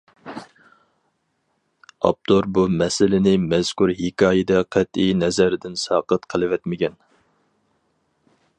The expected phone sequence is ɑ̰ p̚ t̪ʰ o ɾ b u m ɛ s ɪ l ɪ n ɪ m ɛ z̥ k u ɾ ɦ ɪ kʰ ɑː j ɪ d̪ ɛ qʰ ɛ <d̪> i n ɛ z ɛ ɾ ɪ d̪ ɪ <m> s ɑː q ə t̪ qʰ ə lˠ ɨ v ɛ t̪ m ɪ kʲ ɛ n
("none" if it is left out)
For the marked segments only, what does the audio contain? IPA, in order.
t̪, n

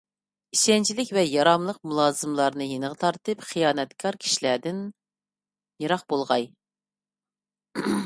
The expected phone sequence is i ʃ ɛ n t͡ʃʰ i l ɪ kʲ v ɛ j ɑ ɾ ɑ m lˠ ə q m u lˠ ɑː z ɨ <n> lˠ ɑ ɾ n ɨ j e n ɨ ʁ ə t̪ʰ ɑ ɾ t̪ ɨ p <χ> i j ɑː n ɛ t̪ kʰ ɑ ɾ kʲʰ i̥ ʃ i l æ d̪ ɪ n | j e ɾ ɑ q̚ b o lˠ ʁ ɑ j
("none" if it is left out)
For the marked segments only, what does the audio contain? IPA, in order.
m, χ

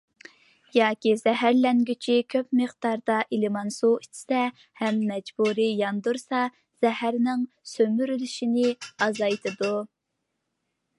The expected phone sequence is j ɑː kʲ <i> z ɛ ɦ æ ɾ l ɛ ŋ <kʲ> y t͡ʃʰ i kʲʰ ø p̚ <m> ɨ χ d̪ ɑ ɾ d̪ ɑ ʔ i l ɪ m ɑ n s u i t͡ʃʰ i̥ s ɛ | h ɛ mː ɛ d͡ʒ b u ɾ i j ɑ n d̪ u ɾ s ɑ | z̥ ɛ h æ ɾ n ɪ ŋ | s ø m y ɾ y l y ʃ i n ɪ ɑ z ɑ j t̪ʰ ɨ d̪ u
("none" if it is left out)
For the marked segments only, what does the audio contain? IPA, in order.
i, ɡʲ, m

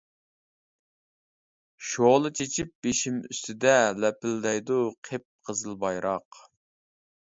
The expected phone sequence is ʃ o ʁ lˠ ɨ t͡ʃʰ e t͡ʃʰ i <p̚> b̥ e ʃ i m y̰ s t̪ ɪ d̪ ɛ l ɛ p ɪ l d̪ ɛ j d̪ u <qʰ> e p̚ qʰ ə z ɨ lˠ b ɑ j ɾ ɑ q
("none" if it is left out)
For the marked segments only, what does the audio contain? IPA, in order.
p̚, qʰ

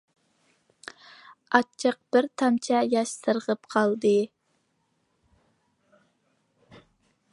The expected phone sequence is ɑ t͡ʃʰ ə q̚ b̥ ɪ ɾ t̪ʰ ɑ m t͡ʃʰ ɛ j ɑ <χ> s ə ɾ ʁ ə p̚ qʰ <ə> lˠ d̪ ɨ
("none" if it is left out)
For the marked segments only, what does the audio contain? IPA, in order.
ʃ, ɑ

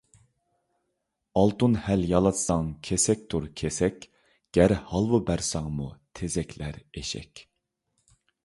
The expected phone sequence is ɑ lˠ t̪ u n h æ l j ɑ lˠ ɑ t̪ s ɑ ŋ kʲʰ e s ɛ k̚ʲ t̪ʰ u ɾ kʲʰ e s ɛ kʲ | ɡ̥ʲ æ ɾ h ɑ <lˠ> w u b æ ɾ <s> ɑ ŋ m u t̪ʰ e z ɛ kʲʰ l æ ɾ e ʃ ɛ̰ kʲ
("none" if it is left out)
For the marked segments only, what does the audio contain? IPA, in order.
lˠ, s

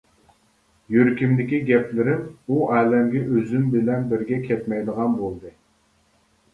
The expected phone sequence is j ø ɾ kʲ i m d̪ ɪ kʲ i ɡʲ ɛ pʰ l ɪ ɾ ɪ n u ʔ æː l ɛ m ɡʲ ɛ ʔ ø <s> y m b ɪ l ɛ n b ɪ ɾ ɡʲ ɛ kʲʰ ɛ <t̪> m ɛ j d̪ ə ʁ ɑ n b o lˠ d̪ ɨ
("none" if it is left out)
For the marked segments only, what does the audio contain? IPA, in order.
z, t̪

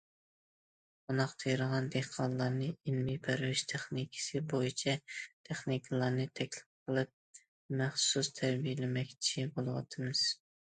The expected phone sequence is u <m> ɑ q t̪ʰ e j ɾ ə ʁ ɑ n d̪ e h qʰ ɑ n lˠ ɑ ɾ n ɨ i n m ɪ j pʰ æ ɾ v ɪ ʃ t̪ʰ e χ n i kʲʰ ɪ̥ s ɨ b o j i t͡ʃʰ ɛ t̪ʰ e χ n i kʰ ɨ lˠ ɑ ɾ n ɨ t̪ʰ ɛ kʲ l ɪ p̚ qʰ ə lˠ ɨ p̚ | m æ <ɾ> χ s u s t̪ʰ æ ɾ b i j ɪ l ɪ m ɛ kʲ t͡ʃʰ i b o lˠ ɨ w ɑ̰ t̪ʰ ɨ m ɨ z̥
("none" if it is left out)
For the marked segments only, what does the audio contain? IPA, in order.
n, none

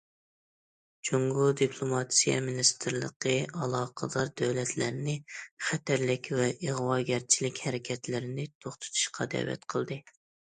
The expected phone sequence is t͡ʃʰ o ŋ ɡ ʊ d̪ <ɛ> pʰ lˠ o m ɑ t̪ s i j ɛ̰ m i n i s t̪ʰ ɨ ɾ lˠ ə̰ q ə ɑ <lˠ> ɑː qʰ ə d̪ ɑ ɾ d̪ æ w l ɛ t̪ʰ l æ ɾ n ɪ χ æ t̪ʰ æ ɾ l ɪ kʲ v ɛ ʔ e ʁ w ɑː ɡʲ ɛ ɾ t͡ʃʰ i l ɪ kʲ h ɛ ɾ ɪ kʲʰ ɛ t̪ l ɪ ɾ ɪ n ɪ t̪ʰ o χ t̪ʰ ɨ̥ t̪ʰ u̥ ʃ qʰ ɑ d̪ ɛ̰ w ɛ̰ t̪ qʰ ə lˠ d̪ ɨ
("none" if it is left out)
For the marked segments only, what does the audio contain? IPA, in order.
i, lˠ

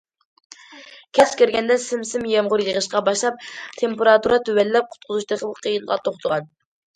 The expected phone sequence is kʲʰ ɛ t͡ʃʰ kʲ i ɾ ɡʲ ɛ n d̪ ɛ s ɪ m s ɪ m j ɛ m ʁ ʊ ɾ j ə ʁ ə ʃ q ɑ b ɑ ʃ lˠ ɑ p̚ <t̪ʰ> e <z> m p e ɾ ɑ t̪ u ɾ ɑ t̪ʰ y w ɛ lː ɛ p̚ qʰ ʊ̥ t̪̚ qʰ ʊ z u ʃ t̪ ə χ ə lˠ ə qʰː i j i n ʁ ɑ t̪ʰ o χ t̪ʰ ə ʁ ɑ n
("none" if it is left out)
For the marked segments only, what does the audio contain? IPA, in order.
t̪ʰ, none

